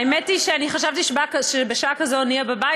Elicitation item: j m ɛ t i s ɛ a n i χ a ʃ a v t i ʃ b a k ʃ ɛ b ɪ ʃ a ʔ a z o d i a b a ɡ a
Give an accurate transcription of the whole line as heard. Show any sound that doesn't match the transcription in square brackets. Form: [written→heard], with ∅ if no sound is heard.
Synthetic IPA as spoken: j m ɛ t i [s→ʃ] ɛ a n i χ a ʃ a v t i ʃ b a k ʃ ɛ b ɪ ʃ a [ʔ→k] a z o [d→n] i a b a [ɡ→b] a